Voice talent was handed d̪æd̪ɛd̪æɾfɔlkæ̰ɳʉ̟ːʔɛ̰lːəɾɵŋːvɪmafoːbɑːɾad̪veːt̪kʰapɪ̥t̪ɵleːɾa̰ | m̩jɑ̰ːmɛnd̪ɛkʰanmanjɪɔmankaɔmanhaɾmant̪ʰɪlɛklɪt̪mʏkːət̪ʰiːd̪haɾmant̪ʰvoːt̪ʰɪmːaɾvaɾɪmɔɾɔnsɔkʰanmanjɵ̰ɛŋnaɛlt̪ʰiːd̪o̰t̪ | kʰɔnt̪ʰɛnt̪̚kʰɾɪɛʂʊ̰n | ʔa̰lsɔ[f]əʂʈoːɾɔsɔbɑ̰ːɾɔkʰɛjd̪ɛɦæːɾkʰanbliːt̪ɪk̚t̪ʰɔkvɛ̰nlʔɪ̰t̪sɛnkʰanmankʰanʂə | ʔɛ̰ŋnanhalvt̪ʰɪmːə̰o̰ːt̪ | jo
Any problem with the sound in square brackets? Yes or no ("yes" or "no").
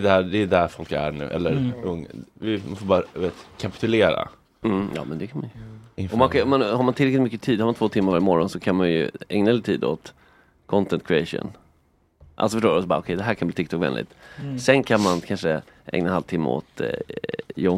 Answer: no